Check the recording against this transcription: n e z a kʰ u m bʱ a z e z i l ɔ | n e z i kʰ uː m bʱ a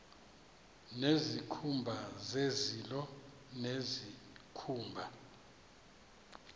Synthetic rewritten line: n e z i kʰ u m bʱ a z e z i l ɔ | n e z i kʰ uː m bʱ a